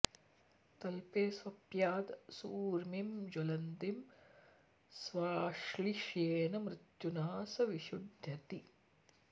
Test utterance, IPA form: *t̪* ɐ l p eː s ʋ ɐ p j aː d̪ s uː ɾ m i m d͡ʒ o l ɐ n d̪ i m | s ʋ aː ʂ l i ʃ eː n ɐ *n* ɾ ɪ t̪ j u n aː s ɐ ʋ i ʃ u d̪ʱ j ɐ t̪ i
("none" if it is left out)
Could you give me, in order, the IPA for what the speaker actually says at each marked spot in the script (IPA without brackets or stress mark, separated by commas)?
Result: t̪, m